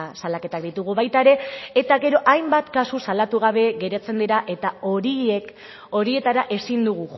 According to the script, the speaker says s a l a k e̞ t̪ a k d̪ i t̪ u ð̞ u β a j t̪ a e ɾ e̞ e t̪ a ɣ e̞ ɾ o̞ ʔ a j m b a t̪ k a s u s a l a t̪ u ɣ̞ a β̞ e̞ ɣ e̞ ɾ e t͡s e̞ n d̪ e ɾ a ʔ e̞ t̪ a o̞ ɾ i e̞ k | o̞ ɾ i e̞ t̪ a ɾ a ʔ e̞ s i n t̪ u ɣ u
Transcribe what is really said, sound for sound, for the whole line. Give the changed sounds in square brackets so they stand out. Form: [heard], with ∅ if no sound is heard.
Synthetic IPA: s a l a k e̞ t̪ a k d̪ i t̪ u [ɣ̞] u β a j t̪ a e ɾ e̞ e t̪ a ɣ e̞ ɾ o̞ ʔ a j m b a t̪ k a s u s a l a t̪ u ɣ̞ a β̞ e̞ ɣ e̞ ɾ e t͡s e̞ n d̪ e ɾ a ʔ e̞ t̪ a o̞ ɾ i e̞ k | o̞ ɾ i e̞ t̪ a ɾ a ʔ e̞ s i n [d̪] u ɣ u